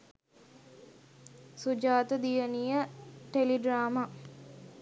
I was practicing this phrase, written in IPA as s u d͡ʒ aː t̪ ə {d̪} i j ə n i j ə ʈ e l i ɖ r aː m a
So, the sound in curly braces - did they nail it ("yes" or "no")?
yes